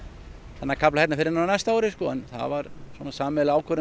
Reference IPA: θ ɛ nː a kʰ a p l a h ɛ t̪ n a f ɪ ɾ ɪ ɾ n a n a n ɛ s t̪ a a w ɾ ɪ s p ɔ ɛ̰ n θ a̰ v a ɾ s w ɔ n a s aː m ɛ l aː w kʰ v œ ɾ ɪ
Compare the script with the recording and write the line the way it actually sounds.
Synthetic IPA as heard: θ ɛ nː a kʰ a p l a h ɛ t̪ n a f ɪ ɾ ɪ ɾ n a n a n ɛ s t̪ a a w ɾ ɪ s k ɔ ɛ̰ n θ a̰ v a ɾ s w ɔ n a s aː m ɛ l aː w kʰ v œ ɾ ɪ